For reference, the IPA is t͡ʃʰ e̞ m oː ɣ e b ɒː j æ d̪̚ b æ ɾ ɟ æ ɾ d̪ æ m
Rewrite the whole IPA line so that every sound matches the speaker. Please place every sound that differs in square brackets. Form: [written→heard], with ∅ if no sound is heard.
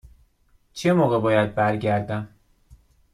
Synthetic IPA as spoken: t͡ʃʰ e̞ m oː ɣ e b ɒː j æ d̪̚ b æ ɾ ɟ æ ɾ d̪ æ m